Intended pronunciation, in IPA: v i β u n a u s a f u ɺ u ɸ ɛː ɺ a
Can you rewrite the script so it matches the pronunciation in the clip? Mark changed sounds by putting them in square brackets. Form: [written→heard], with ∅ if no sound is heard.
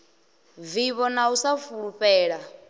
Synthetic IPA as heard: v i β [u→ɔ] n a u s a f u ɺ u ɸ ɛː ɺ a